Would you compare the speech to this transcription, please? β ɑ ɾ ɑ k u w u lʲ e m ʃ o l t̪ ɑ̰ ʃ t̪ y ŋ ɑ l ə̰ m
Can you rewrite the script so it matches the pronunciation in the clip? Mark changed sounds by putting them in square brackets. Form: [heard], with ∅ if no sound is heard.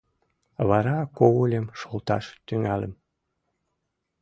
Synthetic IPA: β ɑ ɾ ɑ k [o] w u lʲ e m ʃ o l t̪ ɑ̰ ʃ t̪ y ŋ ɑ l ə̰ m